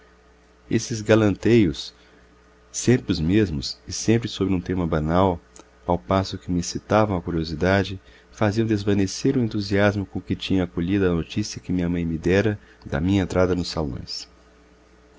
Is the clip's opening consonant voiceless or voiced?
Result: voiceless